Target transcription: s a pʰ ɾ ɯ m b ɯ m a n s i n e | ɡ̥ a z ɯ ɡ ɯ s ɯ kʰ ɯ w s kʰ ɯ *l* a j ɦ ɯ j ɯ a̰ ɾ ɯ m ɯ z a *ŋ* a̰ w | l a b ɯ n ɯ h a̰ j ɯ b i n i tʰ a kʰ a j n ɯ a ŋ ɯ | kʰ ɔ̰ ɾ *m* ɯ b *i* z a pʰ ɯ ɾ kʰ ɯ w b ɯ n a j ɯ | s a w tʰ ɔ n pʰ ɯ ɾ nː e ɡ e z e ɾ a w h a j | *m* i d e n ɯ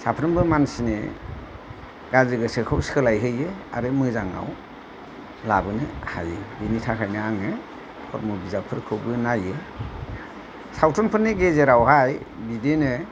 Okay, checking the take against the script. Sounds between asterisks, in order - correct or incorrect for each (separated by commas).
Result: correct, correct, correct, correct, incorrect